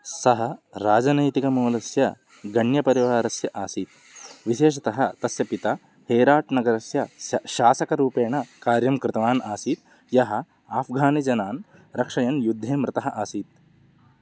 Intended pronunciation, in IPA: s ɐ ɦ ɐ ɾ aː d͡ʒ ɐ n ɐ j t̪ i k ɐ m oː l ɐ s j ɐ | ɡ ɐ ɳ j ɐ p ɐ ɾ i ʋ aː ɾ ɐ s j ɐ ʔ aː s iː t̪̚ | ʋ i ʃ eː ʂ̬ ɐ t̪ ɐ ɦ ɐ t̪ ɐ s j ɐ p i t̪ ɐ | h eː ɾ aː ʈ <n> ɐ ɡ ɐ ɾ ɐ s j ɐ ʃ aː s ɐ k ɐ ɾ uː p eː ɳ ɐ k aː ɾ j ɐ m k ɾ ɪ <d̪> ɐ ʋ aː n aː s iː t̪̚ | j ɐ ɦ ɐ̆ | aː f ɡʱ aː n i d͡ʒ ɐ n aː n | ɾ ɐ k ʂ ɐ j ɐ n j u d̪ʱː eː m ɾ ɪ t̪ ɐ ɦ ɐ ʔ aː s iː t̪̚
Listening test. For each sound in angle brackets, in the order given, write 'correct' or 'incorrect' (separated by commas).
correct, incorrect